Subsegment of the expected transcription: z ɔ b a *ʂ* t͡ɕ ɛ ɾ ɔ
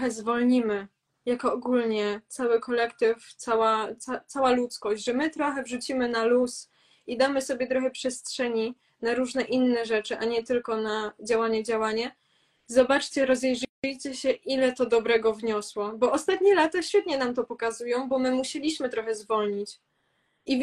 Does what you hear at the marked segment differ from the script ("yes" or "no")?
yes